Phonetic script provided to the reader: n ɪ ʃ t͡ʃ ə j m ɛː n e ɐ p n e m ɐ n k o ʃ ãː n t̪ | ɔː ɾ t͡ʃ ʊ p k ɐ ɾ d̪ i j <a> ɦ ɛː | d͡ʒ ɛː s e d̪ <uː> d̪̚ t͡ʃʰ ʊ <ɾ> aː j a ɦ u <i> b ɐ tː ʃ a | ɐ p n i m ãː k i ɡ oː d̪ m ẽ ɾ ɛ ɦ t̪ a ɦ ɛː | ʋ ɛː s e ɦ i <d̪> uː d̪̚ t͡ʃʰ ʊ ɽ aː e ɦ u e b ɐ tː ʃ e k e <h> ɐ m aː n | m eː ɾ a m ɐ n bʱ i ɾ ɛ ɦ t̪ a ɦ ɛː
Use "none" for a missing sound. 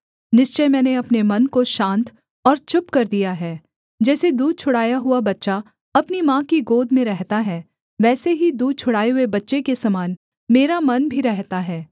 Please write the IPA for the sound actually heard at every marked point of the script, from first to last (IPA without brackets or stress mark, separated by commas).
a, uː, ɽ, a, d̪, s